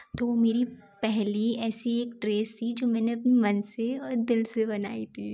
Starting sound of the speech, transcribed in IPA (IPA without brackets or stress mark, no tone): t̪